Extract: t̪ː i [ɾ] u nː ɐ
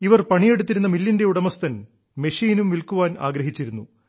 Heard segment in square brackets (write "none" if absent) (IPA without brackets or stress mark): ɾ